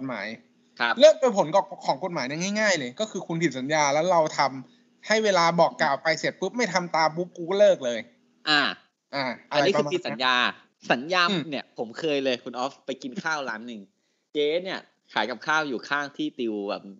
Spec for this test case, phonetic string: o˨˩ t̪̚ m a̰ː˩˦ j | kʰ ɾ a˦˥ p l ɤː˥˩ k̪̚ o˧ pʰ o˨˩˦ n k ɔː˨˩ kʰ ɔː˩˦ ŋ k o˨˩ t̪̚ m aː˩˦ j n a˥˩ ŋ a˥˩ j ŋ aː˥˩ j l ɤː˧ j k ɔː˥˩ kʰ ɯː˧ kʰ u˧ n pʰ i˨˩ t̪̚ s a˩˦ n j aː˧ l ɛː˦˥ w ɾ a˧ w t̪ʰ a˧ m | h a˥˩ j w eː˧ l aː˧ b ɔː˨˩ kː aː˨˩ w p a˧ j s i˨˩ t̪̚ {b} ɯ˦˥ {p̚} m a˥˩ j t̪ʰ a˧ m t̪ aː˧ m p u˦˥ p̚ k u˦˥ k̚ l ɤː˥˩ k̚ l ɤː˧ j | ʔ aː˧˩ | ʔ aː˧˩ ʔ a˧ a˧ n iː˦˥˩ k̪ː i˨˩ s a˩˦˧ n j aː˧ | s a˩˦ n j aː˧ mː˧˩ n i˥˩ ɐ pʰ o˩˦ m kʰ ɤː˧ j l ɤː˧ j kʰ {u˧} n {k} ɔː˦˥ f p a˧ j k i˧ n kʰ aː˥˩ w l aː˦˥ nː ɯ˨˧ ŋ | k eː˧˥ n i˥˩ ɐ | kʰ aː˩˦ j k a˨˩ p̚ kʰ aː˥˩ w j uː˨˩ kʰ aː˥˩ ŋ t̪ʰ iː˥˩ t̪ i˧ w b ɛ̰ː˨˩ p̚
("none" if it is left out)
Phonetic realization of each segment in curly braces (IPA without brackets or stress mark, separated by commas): p, p̚, u˧, ʔ